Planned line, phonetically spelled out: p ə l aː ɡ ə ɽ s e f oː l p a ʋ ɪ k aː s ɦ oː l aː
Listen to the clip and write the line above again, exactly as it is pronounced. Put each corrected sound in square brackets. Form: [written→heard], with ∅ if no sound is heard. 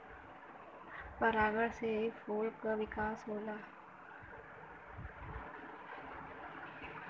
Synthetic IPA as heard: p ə [l→ɾ] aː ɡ ə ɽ s e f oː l [p→k] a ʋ ɪ k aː s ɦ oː l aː